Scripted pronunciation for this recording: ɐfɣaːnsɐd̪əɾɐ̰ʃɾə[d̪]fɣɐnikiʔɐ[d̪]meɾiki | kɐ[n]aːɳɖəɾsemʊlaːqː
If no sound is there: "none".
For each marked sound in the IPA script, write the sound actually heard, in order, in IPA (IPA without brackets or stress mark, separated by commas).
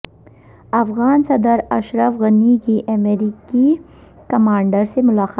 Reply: none, none, m